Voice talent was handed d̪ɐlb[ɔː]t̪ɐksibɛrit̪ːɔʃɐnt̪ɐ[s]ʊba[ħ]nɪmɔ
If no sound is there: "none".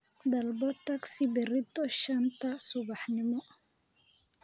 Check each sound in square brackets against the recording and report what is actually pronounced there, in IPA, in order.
ɔ, s, ħ

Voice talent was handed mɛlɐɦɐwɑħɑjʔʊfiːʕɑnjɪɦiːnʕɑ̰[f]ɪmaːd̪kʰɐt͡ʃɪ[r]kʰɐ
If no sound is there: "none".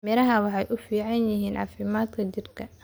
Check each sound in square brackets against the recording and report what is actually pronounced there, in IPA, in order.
f, r

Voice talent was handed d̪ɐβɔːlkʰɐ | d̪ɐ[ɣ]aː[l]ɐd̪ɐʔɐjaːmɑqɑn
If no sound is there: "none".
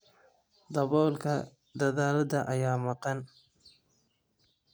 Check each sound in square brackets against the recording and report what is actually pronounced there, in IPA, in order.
ð, l

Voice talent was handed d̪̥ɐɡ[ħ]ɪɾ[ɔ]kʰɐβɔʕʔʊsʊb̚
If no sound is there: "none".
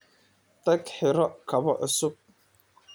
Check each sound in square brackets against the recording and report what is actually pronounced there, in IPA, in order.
ħ, ɔ

